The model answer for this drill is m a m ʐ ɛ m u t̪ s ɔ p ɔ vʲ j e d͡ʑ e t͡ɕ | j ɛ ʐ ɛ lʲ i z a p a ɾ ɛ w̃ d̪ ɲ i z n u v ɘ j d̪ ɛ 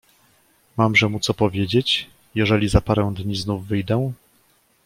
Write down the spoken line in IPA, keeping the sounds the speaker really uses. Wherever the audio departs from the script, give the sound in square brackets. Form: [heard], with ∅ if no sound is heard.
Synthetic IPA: m a m ʐ ɛ m u t̪ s ɔ p ɔ vʲ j e d͡ʑ e t͡ɕ | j ɛ ʐ ɛ lʲ i z a p a ɾ ɛ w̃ d̪ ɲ i z n u [vː] ɘ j d̪ ɛ